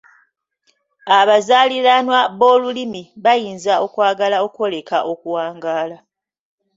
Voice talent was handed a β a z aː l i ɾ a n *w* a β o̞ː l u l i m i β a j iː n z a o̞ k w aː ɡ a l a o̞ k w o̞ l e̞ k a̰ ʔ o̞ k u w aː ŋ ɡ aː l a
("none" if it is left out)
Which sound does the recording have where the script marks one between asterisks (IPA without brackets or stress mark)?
w